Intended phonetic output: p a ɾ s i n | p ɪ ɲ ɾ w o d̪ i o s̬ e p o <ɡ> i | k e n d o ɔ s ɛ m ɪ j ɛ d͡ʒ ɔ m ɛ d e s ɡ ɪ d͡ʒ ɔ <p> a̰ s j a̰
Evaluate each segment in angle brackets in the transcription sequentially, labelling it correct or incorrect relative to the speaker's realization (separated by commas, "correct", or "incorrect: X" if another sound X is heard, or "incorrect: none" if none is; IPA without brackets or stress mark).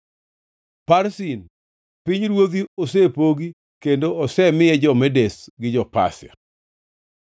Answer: correct, correct